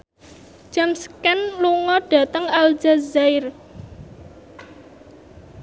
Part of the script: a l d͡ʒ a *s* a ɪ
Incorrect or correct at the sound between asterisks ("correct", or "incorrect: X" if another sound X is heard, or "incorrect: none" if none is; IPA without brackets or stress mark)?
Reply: incorrect: z